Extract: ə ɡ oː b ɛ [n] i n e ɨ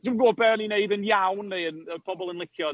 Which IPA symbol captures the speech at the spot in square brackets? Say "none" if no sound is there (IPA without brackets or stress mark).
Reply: n